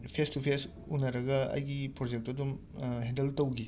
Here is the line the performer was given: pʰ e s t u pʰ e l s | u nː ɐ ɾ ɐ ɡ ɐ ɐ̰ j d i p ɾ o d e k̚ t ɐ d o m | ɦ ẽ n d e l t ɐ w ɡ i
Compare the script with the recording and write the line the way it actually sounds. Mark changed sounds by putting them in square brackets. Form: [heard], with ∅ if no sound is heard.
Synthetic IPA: pʰ e s t u pʰ e [∅] s | u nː ɐ ɾ ɐ ɡ ɐ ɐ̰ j [ɡ] i p ɾ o [d͡ʒ] e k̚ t ɐ d [u] m | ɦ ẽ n d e l t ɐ w ɡ i